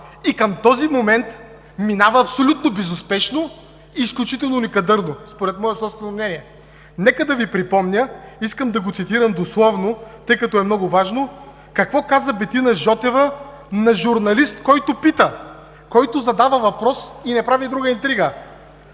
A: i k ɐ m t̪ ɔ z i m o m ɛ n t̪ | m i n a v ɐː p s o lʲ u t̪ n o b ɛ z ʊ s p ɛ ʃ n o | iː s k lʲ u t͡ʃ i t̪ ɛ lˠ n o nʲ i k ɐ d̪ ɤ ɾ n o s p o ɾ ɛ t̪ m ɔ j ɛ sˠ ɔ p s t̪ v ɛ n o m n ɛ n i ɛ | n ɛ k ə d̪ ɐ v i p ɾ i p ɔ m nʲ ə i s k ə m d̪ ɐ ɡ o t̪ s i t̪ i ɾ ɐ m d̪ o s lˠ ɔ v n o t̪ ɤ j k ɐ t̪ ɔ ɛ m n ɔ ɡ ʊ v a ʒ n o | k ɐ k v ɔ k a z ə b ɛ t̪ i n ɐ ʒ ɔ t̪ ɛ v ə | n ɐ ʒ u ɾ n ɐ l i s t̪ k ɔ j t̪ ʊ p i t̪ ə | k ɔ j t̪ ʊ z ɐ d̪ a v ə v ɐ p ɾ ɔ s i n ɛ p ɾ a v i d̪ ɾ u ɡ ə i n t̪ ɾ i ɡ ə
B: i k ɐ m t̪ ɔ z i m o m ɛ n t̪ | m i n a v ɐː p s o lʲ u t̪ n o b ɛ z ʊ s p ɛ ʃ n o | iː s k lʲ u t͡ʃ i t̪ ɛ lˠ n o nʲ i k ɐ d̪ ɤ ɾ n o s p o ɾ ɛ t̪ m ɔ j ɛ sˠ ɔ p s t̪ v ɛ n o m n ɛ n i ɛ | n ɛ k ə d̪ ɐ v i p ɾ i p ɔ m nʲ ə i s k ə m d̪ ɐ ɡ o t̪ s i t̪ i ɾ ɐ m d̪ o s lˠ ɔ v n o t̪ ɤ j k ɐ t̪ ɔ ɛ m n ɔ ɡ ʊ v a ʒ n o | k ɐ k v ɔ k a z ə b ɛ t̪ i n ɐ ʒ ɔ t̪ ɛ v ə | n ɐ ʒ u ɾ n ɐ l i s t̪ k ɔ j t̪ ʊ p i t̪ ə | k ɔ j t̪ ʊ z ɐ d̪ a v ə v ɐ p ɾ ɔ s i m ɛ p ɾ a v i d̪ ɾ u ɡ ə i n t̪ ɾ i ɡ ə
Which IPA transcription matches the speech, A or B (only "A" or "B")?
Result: A